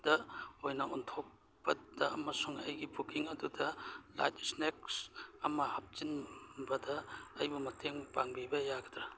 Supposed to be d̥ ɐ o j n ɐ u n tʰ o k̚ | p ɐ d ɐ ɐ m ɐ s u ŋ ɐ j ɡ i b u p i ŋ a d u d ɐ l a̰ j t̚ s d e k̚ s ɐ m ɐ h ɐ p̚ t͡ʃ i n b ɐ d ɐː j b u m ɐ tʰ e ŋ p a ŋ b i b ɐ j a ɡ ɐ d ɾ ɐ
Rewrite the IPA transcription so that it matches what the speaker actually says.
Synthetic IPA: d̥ ɐ o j n ɐ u n tʰ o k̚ | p ɐ d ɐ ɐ m ɐ s u ŋ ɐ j ɡ i b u k i ŋ ɐ d u d ɐ l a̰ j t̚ s n e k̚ s ɐ m ɐ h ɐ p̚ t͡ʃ i n b ɐ d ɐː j b u m ɐ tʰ e ŋ p a ŋ b i b ɐ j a ɡ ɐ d ɾ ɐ